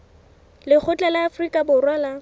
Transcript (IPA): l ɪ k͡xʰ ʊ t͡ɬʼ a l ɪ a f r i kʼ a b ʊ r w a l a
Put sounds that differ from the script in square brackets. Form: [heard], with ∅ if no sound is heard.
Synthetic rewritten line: l ɪ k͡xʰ ʊ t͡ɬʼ a l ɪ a f r i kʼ a b ʊ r w a l a